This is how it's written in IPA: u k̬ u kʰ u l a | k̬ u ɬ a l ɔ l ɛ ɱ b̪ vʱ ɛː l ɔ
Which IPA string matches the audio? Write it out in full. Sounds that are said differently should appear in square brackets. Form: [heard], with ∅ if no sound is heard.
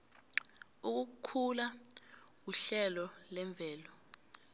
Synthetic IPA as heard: u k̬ u kʰ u l a | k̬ u ɬ [ɛ] l ɔ l ɛ ɱ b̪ vʱ ɛː l ɔ